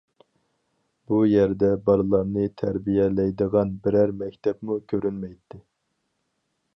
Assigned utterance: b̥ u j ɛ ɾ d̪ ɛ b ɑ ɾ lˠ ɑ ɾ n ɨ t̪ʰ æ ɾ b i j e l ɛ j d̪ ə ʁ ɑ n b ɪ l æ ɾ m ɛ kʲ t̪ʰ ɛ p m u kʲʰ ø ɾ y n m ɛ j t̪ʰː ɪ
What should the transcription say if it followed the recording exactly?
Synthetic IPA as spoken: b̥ u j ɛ ɾ d̪ ɛ b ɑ ɾ lˠ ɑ ɾ n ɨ t̪ʰ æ ɾ b i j ɛ l ɛ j d̪ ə ʁ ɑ n b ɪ ɾ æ ɾ m ɛ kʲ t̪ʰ ɛ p m u kʲʰ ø ɾ y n m ɛ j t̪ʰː ɪ

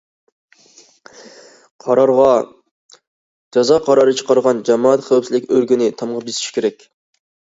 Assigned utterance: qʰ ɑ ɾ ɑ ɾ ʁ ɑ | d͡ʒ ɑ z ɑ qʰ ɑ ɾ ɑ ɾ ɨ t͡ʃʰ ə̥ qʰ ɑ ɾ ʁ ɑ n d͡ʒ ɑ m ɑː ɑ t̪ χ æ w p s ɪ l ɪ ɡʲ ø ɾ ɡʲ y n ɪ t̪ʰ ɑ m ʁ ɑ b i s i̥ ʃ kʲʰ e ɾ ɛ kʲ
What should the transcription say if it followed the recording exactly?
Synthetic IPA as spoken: qʰ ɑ ɾ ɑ ɾ ʁ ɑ | d͡ʒ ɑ z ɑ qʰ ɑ ɾ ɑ ɾ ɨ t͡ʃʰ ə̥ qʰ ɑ ɾ ʁ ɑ n d͡ʒ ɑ m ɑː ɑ t̪ χ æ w p s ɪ l ɪ kʲ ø ɾ ɡʲ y n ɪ t̪ʰ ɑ m ʁ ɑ b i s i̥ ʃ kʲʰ e ɾ ɛ kʲ

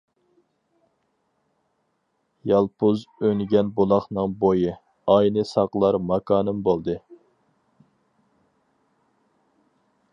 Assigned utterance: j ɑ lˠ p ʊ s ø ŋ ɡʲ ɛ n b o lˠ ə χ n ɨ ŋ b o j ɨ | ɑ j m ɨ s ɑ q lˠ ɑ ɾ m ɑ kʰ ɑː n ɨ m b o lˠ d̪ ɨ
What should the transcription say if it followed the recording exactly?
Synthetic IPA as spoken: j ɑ lˠ p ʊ z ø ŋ ɡʲ ɛ n b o lˠ ɑ χ n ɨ ŋ b o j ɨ | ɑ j n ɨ s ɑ q lˠ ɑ ɾ m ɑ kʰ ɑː n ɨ m b o lˠ d̪ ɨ

